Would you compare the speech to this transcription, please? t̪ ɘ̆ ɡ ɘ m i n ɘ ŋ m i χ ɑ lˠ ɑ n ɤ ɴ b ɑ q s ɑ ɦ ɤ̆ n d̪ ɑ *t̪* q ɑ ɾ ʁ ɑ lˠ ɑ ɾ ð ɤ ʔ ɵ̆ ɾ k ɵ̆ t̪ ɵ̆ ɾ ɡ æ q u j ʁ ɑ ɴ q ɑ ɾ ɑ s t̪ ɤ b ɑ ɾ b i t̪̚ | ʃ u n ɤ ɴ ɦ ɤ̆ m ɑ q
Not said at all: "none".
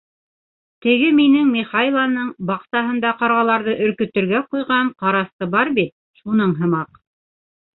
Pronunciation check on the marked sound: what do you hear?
none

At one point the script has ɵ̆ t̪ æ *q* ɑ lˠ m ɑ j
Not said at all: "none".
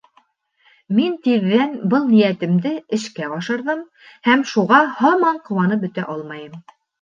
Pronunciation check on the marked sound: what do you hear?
ʔ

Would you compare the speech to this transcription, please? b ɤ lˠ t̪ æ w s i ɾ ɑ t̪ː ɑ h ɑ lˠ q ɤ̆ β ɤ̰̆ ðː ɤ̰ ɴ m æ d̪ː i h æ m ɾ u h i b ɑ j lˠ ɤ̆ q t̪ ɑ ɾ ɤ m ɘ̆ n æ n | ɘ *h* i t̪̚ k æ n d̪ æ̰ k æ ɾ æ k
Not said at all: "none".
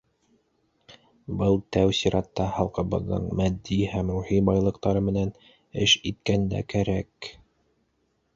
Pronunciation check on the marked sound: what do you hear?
ʃ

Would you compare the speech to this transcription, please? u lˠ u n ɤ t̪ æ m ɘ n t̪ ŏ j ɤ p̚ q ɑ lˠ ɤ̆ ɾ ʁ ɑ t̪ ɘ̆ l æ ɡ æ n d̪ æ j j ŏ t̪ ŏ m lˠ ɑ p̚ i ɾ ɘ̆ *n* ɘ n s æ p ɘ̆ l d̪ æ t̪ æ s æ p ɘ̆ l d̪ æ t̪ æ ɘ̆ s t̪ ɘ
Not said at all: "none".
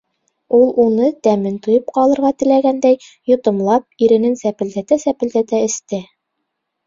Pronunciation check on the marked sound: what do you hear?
n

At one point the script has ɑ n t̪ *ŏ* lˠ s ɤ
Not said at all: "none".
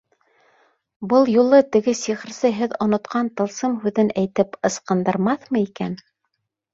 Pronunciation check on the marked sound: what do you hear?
ɤ̆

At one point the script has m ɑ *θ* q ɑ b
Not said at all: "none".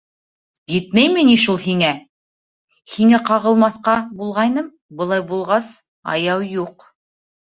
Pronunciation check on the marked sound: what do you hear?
θ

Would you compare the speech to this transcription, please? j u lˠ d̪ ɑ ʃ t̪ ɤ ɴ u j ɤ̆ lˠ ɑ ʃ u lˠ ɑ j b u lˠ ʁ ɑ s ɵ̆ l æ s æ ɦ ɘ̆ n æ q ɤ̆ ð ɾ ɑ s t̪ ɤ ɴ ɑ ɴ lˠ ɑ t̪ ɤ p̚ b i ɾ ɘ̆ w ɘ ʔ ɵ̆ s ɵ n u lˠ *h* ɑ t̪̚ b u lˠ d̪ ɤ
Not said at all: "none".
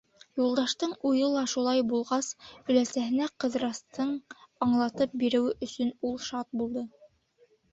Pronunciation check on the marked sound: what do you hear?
ʃ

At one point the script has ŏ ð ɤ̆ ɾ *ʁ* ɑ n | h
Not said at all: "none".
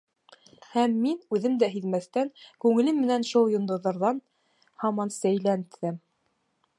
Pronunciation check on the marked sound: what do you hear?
ð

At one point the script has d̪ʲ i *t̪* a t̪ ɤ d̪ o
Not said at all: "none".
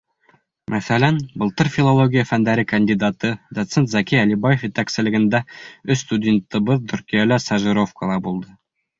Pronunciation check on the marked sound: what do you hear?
d̪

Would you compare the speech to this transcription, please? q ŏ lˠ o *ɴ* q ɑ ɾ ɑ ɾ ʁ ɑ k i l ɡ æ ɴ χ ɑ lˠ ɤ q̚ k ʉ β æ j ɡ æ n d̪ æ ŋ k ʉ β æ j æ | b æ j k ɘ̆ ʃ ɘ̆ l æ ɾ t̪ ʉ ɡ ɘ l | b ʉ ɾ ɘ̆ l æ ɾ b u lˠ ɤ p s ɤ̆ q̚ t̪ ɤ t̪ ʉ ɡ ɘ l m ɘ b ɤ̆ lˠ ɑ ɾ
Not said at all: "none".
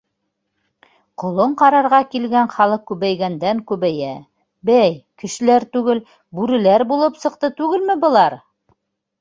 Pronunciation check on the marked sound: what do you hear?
ɴ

